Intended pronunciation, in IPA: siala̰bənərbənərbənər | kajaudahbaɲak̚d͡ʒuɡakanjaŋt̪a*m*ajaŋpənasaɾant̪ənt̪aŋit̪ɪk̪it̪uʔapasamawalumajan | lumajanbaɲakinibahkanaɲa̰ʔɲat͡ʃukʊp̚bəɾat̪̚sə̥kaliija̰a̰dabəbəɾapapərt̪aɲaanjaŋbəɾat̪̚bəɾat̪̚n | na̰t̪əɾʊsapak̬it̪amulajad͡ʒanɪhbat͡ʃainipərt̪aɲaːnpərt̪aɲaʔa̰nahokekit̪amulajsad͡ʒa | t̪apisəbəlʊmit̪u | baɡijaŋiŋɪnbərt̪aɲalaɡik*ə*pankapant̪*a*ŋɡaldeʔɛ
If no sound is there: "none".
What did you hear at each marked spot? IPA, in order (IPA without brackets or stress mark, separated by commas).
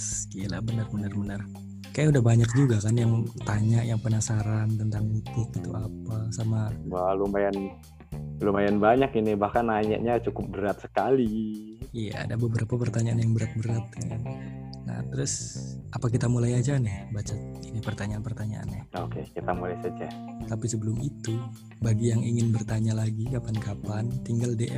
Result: ɲ, a, i